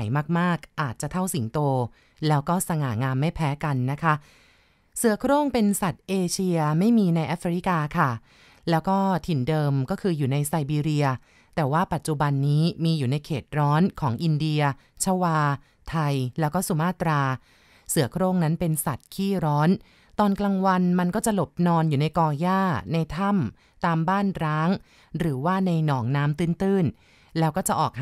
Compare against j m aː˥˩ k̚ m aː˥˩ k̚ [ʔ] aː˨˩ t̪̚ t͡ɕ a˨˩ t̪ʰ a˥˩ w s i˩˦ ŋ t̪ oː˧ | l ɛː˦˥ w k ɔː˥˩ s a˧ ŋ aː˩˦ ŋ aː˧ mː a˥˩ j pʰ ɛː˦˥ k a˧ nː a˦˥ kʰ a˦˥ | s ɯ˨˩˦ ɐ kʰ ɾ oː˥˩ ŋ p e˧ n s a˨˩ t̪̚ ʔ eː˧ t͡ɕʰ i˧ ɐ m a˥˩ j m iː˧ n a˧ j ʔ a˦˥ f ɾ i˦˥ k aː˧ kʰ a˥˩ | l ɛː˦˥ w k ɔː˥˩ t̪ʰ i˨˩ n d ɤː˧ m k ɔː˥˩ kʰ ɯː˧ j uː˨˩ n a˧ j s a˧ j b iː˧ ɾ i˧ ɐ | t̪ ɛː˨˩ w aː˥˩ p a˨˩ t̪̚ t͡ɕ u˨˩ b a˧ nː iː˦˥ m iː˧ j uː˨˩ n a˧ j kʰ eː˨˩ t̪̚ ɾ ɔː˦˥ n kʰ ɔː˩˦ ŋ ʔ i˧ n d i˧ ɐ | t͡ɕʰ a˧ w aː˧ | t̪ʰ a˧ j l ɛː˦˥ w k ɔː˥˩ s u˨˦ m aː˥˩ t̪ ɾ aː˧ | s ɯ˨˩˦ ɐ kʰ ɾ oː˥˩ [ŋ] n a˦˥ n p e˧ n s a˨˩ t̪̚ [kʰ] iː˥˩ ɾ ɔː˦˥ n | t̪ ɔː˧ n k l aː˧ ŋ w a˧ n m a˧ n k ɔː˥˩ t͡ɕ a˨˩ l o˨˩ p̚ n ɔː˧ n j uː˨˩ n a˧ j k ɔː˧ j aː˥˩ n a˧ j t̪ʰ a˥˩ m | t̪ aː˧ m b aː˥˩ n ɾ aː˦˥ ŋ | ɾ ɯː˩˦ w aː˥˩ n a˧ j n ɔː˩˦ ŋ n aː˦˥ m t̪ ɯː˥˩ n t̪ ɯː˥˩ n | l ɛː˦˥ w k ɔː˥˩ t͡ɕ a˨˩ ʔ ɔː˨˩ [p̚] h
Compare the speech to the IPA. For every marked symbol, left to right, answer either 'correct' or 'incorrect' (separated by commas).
correct, correct, correct, incorrect